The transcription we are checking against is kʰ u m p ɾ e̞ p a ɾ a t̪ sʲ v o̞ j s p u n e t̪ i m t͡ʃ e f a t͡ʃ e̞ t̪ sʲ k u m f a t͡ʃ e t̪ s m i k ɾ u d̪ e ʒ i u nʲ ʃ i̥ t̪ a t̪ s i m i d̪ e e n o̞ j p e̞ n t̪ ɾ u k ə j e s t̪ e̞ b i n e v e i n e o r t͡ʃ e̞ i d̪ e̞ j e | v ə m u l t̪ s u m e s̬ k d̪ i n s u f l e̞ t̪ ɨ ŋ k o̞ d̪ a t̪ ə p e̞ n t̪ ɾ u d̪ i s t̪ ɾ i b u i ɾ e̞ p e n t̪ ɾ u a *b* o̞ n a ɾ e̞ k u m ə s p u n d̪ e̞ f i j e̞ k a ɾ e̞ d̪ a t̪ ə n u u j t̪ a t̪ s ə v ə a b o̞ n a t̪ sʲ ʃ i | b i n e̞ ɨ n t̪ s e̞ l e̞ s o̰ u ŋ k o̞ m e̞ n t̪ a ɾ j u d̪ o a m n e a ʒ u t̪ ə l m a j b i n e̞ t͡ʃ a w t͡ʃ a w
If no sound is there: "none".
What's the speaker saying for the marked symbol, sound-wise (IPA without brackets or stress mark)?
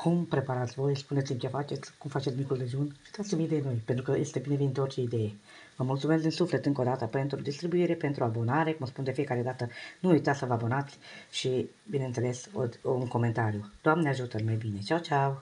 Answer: b